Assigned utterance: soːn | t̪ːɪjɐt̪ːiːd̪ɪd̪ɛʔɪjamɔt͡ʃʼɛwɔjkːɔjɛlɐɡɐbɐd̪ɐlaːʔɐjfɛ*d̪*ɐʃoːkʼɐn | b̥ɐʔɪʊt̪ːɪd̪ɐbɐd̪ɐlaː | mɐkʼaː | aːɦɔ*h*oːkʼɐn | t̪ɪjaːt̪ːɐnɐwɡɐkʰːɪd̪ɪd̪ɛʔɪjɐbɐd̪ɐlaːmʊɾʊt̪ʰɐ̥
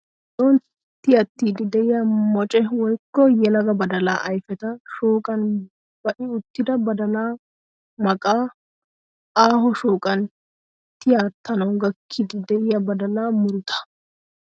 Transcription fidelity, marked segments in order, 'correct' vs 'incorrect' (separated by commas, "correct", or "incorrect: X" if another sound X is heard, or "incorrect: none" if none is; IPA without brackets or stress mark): incorrect: t̪, incorrect: ʃ